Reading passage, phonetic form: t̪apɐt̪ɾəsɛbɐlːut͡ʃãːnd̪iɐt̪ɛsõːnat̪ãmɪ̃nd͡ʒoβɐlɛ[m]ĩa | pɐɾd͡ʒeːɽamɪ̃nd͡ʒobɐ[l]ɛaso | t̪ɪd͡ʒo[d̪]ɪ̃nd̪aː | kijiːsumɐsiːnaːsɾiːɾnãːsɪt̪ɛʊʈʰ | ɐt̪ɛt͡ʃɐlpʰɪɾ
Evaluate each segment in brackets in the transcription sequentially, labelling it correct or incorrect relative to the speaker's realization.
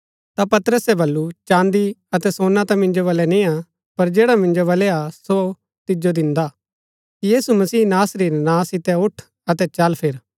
incorrect: n, correct, correct

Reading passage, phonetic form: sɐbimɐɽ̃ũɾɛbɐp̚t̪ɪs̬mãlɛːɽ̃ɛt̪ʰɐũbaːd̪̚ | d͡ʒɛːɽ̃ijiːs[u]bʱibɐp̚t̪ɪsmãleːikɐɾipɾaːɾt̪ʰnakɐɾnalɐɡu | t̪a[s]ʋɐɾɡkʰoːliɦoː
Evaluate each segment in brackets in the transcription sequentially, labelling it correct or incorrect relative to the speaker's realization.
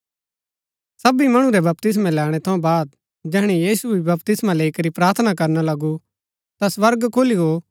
correct, correct

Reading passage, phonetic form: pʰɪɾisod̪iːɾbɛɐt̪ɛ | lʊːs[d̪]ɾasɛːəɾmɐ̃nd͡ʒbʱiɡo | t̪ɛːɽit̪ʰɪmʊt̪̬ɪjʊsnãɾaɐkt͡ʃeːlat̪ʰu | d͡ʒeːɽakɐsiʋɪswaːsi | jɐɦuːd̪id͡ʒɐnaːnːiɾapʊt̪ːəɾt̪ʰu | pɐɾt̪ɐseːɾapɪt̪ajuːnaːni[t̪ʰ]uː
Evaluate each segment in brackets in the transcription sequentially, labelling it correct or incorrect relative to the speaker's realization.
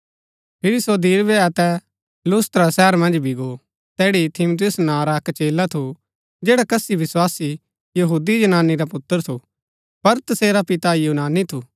incorrect: t̪, correct

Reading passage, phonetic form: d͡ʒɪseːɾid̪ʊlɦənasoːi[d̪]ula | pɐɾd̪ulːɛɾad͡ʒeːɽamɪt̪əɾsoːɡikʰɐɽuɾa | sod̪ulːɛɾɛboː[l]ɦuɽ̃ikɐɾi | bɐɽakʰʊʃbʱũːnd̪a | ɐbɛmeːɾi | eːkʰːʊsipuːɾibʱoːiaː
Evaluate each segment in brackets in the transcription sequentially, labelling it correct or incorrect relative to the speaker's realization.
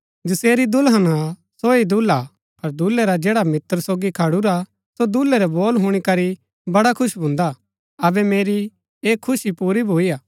correct, correct

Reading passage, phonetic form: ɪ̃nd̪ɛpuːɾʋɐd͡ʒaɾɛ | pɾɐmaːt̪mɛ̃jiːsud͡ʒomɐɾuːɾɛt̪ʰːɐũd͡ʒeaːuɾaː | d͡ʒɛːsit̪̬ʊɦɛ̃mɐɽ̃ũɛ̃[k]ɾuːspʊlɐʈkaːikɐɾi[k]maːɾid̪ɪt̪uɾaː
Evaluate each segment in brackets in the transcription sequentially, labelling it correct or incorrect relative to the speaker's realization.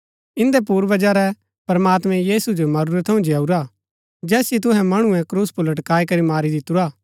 correct, incorrect: none

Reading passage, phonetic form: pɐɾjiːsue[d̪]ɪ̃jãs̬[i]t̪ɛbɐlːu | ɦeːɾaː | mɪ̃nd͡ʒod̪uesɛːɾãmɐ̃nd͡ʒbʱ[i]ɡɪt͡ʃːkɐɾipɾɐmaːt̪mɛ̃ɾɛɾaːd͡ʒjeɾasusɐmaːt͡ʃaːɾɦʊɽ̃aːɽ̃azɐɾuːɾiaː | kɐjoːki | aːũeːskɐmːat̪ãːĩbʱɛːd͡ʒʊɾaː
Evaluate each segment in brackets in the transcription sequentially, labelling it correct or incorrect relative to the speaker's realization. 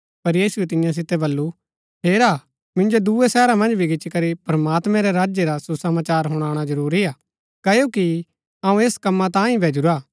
incorrect: t̪, incorrect: ɪ, correct

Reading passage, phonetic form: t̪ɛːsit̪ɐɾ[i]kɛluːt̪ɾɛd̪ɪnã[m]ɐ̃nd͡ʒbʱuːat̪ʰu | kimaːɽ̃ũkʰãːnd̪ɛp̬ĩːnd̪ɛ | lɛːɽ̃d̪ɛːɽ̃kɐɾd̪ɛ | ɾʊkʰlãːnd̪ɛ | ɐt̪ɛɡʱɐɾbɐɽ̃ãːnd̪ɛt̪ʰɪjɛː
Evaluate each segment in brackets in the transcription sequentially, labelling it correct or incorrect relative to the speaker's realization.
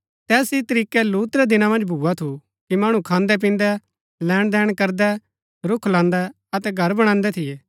incorrect: iː, correct

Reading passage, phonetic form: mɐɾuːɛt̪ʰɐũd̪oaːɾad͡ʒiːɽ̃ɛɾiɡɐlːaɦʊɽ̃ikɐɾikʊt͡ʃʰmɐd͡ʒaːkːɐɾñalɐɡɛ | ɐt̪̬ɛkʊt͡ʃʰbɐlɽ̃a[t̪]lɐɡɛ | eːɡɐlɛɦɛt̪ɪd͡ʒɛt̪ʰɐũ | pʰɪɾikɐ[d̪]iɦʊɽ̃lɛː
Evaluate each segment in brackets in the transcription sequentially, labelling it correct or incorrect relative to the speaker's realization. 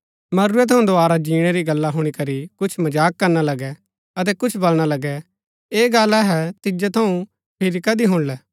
incorrect: none, correct

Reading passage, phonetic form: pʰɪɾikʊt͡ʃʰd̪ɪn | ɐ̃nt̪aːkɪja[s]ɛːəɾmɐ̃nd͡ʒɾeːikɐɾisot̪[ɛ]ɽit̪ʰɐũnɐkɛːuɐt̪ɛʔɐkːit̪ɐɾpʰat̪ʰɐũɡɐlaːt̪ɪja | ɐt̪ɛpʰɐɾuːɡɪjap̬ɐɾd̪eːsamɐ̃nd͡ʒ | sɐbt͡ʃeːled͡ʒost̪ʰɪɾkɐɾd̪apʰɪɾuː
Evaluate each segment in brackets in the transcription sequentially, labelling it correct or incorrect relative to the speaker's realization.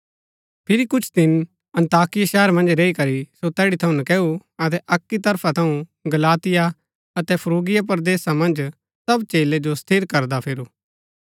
incorrect: ʃ, incorrect: ɛː

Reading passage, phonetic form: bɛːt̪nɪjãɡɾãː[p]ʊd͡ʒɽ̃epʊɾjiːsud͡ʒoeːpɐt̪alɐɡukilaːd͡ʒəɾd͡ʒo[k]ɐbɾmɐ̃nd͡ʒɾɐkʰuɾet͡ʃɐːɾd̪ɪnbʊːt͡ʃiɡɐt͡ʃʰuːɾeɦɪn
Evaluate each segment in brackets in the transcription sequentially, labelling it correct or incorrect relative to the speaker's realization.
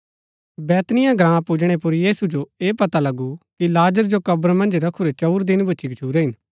correct, correct

